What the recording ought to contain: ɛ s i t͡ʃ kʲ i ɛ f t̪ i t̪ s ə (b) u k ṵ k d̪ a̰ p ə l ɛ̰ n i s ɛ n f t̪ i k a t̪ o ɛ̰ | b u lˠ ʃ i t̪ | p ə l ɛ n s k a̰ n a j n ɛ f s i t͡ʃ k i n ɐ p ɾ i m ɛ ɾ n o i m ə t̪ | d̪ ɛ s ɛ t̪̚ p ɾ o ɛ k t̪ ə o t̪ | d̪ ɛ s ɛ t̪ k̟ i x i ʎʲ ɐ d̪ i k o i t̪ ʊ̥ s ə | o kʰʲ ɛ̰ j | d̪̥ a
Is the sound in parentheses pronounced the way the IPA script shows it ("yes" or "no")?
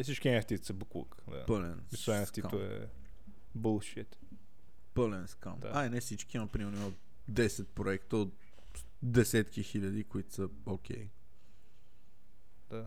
yes